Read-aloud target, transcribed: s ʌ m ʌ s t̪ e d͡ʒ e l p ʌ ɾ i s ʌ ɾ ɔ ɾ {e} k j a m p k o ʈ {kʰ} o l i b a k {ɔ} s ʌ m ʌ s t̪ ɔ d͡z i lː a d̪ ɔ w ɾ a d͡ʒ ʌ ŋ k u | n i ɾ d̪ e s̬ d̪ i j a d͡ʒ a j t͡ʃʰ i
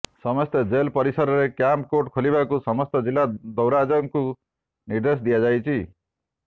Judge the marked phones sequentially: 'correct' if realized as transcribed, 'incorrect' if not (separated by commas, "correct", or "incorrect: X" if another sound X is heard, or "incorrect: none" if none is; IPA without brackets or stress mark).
correct, correct, incorrect: u